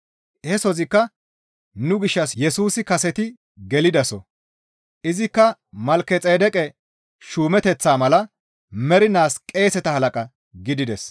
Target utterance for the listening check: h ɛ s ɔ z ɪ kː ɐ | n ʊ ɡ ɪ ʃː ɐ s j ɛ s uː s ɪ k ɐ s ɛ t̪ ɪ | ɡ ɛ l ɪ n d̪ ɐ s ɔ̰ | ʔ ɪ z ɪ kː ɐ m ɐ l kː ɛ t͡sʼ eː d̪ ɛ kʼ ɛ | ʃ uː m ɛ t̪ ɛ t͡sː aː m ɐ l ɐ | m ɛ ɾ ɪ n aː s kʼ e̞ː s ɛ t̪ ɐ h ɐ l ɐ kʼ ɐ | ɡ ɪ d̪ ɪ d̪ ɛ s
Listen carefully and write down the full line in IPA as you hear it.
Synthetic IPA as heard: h ɛ s ɔ z ɪ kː ɐ | n ʊ ɡ ɪ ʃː ɐ s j ɛ s uː s ɪ k ɐ s ɛ t̪ ɪ | ɡ ɛ l ɪ d̪ ɐ s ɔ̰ | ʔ ɪ z ɪ kː ɐ m ɐ l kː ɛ t͡sʼ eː d̪ ɛ kʼ ɛ | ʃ uː m ɛ t̪ ɛ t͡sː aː m ɐ l ɐ | m ɛ ɾ ɪ n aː s kʼ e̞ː s ɛ t̪ ɐ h ɐ l ɐ kʼ ɐ | ɡ ɪ d̪ ɪ d̪ ɛ s